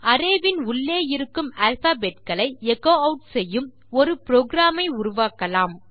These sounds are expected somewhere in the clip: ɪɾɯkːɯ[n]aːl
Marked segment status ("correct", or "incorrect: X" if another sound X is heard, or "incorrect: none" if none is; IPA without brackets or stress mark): incorrect: m